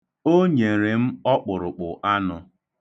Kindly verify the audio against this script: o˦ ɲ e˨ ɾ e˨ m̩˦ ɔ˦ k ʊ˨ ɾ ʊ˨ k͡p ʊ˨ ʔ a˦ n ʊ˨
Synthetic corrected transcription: o˦ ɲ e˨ ɾ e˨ m̩˦ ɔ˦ k͡p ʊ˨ ɾ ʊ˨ k͡p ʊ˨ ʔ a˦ n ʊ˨